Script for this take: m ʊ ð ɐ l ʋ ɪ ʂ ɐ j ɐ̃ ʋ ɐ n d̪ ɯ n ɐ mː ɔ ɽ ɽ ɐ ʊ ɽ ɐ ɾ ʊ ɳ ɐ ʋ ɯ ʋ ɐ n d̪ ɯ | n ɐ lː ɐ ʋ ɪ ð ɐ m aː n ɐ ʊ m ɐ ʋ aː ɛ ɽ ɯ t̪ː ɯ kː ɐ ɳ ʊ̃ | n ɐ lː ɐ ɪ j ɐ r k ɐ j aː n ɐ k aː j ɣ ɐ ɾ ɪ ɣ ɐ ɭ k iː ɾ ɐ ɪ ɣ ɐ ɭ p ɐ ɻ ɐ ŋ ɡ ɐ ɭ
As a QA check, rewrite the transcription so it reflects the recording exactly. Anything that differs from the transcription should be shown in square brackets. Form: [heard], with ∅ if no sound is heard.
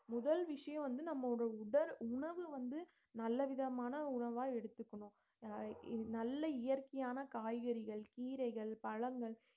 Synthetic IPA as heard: m ʊ ð ɐ l ʋ ɪ ʂ ɐ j ɐ̃ ʋ ɐ n d̪ ɯ n ɐ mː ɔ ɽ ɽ ɐ ʊ ɽ ɐ ɾ ʊ ɳ ɐ ʋ ɯ ʋ ɐ n d̪ ɯ | n ɐ lː ɐ ʋ ɪ ð ɐ m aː n ɐ ʊ [ɳ] ɐ ʋ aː ɛ ɽ ɯ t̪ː ɯ kː ɐ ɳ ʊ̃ | n ɐ lː ɐ ɪ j ɐ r k ɐ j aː n ɐ k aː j ɣ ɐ ɾ ɪ ɣ ɐ ɭ k iː ɾ ɐ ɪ ɣ ɐ ɭ p ɐ ɻ ɐ ŋ ɡ ɐ ɭ